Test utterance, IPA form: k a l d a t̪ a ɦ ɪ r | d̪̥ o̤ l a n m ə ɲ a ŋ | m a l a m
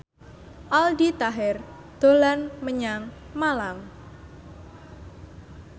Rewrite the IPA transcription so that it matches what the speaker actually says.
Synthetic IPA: ʔ a l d i t̪ a ɦ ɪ r | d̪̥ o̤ l a n m ə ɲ a ŋ | m a l a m

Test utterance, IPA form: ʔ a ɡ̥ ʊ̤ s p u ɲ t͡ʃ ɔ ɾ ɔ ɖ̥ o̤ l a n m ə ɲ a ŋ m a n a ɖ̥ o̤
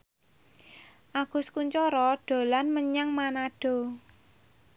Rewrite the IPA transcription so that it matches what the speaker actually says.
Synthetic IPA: ʔ a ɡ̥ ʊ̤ s k u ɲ t͡ʃ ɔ ɾ ɔ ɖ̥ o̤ l a n m ə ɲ a ŋ m a n a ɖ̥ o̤

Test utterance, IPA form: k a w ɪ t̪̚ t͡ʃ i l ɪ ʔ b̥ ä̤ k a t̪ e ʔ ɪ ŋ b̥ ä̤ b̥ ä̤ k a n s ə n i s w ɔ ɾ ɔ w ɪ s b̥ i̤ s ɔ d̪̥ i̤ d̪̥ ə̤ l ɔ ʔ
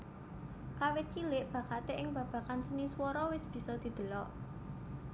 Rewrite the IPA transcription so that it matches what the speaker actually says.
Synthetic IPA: k a w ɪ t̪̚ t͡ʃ i l ɪ ʔ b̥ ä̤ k a t̪ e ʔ ɪ ŋ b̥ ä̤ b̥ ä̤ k a n s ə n i s w ɔ ɾ ɔ w ɪ s b̥ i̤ s ɔ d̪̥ i̤ d̪̥ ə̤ l ɔ ʔ

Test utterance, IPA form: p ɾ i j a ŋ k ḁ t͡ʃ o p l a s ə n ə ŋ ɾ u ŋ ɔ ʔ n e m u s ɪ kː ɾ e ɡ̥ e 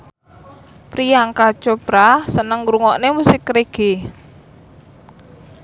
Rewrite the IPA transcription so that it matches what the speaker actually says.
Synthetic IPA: p ɾ i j a ŋ k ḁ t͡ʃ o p ɾ a s ə n ə ŋ ɾ u ŋ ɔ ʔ n e m u s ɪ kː ɾ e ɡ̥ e

